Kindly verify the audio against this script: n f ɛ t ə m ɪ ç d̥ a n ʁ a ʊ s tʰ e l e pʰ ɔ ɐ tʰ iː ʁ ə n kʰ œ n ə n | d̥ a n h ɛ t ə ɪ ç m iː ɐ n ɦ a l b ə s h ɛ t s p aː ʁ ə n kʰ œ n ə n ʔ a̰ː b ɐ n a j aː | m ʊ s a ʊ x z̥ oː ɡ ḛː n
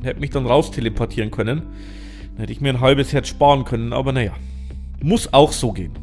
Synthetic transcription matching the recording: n h ɛ t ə m ɪ ç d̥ a n ʁ a ʊ s tʰ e l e pʰ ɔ ɐ tʰ iː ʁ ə n kʰ œ n ə n | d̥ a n h ɛ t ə ɪ ç m iː ɐ n ɦ a l b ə s h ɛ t ʃ p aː ʁ ə n kʰ œ n ə n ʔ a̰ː b ɐ n a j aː | m ʊ s a ʊ x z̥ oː ɡ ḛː n

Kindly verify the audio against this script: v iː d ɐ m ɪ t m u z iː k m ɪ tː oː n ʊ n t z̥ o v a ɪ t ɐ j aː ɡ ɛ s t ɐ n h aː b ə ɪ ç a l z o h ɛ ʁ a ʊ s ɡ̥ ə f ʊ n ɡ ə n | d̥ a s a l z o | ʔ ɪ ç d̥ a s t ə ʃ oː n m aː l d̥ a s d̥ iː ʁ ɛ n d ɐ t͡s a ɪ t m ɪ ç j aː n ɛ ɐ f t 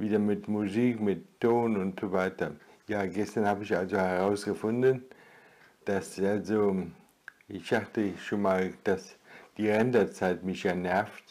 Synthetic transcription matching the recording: v iː d ɐ m ɪ t m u z iː k m ɪ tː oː n ʊ n t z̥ o v a ɪ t ɐ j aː ɡ ɛ s t ɐ n h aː b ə ɪ ç a l z o h ɛ ʁ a ʊ s ɡ̥ ə f ʊ n d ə n | d̥ a s a l z o | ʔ ɪ ç d̥ a χ t ə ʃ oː n m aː l d̥ a s d̥ iː ʁ ɛ n d ɐ t͡s a ɪ t m ɪ ç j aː n ɛ ɐ f t

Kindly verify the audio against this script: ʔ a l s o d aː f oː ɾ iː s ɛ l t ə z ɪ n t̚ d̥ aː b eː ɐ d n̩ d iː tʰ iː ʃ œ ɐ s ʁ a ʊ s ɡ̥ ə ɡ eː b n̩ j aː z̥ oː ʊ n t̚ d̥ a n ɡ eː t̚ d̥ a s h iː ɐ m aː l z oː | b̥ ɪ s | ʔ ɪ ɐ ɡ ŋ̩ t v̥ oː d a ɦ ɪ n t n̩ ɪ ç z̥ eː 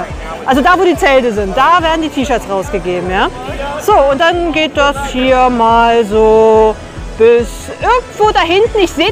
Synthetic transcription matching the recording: ʔ a l z o d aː v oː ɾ iː t͡s ɛ l t ə z ɪ n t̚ d̥ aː v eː ɐ d n̩ d iː tʰ iː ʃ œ ɐ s ʁ a ʊ s ɡ̥ ə ɡ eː b m̩ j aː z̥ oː ʊ n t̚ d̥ a n ɡ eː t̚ d̥ a s h iː ɐ m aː l z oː | b̥ ɪ s | ʔ ɪ ɐ ɡ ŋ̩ t v̥ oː d a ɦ ɪ n t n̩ ɪ ç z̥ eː

